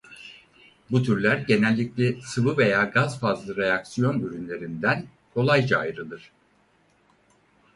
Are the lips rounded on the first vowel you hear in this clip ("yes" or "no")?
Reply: yes